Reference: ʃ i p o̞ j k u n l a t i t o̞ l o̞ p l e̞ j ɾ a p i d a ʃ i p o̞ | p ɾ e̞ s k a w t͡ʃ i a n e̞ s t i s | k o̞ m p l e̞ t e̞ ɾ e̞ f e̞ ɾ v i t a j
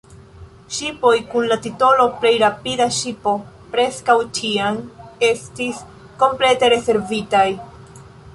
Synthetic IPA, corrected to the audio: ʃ i p o̞ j k u n l a t i t o̞ l o̞ p l e̞ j ɾ a p i d a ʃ i p o̞ | p ɾ e̞ s k a w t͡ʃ i a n e̞ s t i s | k o̞ m p l e̞ t e̞ ɾ e̞ s e̞ ɾ v i t a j